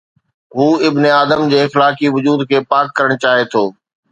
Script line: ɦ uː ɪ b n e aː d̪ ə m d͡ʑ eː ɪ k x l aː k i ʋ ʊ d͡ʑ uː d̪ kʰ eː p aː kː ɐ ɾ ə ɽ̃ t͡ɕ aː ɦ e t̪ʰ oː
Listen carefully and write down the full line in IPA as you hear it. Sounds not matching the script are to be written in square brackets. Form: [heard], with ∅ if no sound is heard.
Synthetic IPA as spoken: ɦ uː ɪ b n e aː d̪ ə m d͡ʑ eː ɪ [∅] x l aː k i ʋ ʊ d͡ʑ uː d̪ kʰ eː p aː kː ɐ ɾ ə ɽ̃ t͡ɕ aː ɦ e t̪ʰ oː